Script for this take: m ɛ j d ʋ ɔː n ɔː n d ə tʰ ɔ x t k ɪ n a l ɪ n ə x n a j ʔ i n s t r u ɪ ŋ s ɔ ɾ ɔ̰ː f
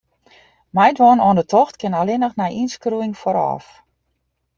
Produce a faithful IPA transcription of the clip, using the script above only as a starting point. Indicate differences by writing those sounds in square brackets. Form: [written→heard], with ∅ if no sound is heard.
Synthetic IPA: m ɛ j d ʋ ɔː n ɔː n d ə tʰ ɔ x t k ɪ n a l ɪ n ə x n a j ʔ i n s [t→k] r u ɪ ŋ [s→f] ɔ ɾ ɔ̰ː f